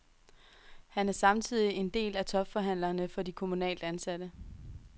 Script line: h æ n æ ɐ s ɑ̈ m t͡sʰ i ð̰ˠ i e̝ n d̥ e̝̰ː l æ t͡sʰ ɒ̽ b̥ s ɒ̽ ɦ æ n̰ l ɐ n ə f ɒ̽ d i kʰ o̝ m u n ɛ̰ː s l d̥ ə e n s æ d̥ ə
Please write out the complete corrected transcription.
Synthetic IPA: h æ n æ ɐ s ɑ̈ m t͡sʰ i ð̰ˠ i e̝ n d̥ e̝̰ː l æ t͡sʰ ɒ̽ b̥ f ɒ̽ ɦ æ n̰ l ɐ n ə f ɒ̽ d i kʰ o̝ m u n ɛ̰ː l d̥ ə æ n s æ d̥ ə